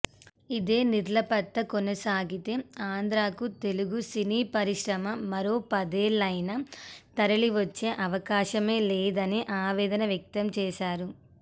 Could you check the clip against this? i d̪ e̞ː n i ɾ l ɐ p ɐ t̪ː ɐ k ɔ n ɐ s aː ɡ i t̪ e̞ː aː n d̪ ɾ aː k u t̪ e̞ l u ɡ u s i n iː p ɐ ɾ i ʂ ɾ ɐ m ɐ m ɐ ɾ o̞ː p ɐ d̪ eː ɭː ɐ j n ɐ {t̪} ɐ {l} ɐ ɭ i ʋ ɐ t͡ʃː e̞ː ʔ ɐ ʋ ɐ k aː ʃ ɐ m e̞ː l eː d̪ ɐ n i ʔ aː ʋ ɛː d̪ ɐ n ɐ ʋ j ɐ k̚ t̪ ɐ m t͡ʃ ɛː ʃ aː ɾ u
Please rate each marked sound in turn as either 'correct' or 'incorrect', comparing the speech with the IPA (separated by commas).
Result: correct, incorrect